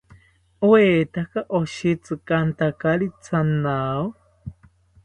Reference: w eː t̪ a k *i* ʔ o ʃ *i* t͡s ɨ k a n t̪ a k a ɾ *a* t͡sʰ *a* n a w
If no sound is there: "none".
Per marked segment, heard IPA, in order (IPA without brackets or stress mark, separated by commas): a, i, i, a